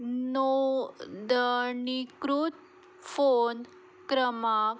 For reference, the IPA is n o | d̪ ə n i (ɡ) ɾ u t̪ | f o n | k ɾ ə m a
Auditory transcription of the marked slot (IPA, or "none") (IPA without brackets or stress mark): k